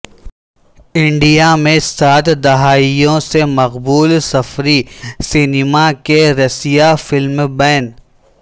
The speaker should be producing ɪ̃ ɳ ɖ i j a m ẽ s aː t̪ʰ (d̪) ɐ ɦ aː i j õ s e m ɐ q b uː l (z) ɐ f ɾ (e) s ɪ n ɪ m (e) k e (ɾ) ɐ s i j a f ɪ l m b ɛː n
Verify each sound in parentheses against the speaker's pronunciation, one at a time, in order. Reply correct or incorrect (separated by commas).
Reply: correct, incorrect, incorrect, incorrect, correct